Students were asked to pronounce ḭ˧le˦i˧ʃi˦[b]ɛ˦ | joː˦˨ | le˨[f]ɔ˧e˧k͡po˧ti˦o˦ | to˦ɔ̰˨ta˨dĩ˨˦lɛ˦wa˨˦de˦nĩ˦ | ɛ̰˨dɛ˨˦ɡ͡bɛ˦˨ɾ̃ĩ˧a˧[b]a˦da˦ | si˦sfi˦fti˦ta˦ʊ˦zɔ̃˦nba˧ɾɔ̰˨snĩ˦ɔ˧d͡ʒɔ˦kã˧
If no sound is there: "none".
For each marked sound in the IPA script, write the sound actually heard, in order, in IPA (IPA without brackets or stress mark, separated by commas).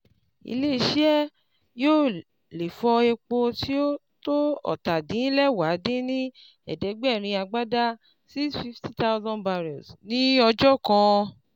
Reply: none, f, ɡ͡b